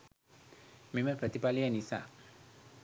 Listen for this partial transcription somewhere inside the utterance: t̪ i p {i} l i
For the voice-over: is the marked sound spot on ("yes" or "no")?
no